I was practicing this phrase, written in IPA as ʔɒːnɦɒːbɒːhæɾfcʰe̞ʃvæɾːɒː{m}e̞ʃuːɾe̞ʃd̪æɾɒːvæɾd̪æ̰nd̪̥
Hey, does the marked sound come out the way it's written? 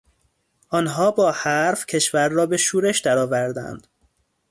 no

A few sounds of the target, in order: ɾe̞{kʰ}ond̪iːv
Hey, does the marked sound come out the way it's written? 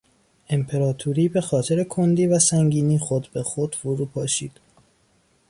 yes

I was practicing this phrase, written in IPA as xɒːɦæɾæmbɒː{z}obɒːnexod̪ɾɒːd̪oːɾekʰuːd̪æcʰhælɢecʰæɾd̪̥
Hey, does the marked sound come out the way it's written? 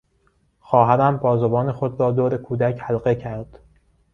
yes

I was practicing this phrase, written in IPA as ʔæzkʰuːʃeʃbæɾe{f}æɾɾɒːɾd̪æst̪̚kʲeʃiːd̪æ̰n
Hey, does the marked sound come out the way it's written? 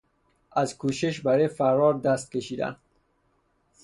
yes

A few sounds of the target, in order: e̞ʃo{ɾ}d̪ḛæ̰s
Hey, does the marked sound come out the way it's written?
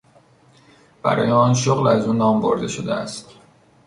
no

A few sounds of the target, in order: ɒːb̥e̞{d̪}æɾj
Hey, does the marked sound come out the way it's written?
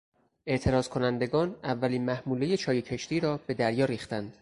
yes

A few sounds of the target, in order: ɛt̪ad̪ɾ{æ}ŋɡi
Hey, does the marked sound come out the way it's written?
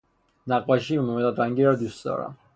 no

